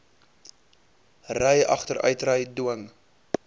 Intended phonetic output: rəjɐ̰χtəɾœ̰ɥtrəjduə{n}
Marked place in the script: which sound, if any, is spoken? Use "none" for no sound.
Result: ŋ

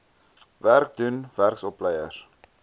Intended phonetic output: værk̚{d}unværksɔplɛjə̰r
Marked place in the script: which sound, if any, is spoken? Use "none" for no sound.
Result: d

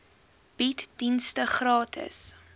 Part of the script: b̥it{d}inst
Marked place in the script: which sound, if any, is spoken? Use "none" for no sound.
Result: d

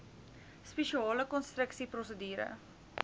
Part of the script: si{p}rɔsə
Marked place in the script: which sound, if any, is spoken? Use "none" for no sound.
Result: p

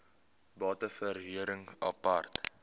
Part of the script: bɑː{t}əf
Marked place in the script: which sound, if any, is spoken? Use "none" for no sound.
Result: t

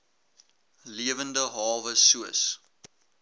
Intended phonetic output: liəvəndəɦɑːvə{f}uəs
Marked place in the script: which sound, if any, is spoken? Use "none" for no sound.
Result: s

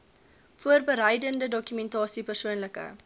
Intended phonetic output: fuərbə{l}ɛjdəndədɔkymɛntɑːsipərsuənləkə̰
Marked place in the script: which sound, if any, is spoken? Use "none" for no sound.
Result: ɾ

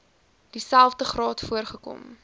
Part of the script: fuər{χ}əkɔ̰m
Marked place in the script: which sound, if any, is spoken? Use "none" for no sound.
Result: χ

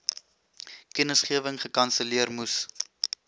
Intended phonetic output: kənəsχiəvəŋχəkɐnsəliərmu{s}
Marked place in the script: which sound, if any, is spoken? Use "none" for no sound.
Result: s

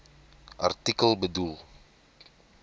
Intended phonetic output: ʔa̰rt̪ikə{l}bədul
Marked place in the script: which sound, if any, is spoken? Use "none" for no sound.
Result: l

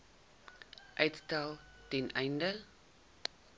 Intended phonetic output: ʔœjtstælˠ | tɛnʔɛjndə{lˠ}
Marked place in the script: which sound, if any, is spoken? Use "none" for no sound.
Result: none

